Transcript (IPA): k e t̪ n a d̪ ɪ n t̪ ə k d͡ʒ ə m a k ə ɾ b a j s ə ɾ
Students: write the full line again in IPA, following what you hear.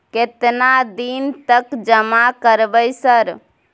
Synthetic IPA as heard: k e t̪ n a d̪ i n t̪ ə k d͡ʒ ə m a k ə ɾ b ə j s ə ɾ